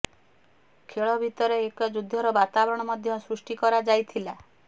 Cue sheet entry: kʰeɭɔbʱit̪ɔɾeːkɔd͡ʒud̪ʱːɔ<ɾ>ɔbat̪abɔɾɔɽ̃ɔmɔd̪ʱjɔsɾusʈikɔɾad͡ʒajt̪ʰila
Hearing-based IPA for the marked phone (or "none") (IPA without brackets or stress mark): ɾ